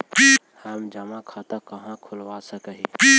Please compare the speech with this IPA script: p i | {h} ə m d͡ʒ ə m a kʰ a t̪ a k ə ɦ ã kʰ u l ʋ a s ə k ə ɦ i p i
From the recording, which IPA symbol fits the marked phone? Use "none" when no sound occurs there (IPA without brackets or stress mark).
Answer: h